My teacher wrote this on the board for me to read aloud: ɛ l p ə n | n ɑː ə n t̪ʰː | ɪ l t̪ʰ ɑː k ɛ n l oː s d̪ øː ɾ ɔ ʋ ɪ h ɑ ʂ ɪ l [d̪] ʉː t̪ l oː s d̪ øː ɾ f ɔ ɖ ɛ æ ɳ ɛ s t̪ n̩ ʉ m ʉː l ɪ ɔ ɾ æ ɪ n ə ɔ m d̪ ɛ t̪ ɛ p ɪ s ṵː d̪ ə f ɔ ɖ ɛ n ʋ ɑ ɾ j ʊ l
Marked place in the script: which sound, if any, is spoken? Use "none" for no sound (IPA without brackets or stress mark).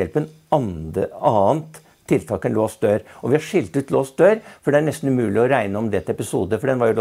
t̪